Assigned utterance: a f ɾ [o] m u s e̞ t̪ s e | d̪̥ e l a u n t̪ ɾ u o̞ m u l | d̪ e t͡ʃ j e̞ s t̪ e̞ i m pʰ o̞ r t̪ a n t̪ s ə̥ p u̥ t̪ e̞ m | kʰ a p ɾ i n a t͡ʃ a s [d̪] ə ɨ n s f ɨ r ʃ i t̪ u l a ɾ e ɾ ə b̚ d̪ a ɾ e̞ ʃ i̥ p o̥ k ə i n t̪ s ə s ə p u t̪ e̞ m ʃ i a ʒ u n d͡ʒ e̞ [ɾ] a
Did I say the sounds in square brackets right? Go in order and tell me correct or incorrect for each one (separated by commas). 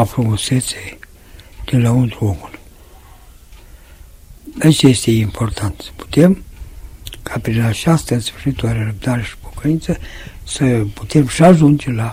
incorrect, incorrect, incorrect